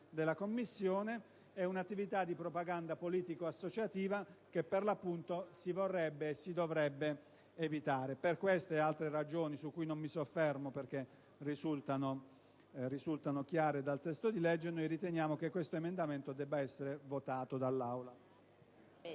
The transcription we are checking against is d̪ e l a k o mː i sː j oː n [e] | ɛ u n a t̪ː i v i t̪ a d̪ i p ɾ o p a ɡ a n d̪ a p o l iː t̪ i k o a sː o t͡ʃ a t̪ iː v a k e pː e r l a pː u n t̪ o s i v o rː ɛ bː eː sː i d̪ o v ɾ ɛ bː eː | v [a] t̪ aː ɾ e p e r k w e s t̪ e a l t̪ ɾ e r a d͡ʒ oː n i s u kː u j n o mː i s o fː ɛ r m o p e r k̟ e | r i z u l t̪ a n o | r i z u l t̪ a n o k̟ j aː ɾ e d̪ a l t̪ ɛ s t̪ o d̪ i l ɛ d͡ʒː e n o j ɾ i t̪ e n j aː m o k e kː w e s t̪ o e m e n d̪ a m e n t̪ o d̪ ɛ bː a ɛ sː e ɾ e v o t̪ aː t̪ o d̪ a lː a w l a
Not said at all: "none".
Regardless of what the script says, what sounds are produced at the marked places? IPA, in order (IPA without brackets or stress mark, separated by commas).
e, i